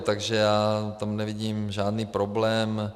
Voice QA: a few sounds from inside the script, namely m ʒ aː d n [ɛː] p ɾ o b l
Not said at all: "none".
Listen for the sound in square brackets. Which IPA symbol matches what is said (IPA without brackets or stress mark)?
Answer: iː